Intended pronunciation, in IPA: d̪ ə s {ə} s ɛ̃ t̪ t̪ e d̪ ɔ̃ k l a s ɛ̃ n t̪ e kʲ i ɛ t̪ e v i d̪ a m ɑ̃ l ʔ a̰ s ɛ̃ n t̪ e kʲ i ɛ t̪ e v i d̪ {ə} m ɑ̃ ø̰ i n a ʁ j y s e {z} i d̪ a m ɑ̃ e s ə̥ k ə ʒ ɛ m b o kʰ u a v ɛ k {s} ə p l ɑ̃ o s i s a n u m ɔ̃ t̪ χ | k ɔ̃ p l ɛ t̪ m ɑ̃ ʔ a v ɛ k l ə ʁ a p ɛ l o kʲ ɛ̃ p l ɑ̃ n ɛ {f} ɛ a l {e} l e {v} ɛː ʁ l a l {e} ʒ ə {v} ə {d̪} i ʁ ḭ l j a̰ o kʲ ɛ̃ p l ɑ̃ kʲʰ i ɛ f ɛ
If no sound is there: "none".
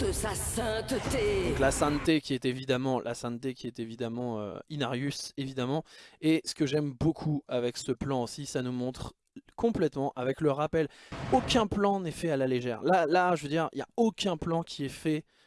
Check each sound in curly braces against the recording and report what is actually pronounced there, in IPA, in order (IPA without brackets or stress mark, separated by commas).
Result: a, a, v, s, f, a, ʒ, a, v, d̪